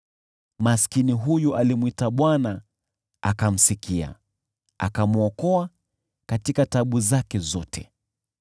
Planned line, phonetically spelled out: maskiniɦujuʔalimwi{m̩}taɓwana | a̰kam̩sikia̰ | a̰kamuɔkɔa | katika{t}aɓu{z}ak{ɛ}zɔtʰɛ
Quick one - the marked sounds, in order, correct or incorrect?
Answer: incorrect, correct, correct, correct

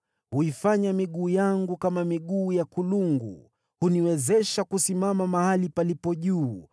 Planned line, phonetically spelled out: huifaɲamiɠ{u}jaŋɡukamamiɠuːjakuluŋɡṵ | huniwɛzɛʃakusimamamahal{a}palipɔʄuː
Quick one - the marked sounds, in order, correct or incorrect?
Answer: incorrect, incorrect

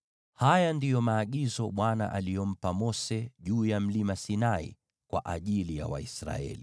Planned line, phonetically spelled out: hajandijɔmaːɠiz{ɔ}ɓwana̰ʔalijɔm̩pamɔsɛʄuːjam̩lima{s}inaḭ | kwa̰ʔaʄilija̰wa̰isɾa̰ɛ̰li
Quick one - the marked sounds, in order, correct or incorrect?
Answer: correct, correct

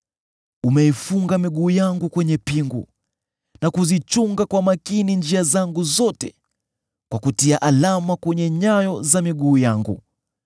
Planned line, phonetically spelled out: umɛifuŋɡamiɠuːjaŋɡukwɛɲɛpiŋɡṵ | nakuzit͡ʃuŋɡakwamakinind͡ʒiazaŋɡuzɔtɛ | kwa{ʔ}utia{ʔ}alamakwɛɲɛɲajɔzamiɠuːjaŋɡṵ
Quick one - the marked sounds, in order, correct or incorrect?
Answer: incorrect, correct

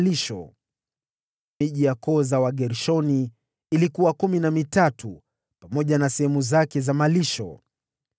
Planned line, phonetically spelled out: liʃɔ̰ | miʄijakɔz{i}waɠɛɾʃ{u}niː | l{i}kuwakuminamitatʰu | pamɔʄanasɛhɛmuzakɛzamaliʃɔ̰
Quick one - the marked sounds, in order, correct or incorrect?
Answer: incorrect, incorrect, correct

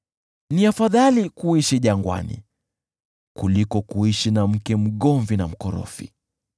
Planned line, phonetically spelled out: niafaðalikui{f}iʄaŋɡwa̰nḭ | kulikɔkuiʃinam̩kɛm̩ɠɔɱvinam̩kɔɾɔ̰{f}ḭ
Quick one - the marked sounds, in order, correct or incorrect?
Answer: incorrect, correct

